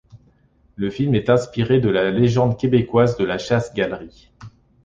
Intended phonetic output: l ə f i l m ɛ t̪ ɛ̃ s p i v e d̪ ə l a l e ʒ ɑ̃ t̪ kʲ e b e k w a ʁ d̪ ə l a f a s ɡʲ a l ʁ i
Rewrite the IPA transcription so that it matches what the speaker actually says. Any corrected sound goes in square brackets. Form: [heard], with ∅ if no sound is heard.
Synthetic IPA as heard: l ə f i l m ɛ t̪ ɛ̃ s p i [ʁ] e d̪ ə l a l e ʒ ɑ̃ [d̪] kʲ e b e k w a [z] d̪ ə l a [ʃ] a s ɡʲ a l ʁ i